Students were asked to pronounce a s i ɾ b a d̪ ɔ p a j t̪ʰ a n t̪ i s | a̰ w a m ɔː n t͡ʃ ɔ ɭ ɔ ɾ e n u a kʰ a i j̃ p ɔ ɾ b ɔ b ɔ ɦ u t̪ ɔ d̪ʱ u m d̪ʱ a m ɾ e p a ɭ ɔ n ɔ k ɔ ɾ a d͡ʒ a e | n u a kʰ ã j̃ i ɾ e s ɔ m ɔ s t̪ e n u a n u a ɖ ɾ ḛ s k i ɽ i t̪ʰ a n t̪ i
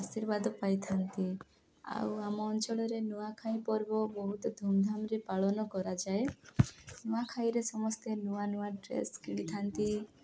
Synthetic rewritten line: a s i ɾ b a d̪ ɔ p a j t̪ʰ a n t̪ i | a̰ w a m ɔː n t͡ʃ ɔ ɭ ɔ ɾ e n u a kʰ a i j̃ p ɔ ɾ b ɔ b ɔ ɦ u t̪ ɔ d̪ʱ u m d̪ʱ a m ɾ e p a ɭ ɔ n ɔ k ɔ ɾ a d͡ʒ a e | n u a kʰ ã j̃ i ɾ e s ɔ m ɔ s t̪ e n u a n u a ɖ ɾ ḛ s k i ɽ i t̪ʰ a n t̪ i